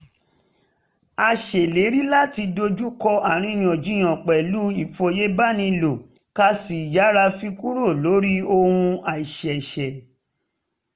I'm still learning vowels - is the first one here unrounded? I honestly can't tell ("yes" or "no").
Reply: yes